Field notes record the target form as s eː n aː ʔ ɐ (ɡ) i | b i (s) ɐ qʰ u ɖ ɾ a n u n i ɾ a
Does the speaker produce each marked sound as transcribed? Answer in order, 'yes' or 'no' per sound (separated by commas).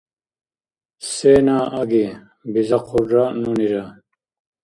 yes, no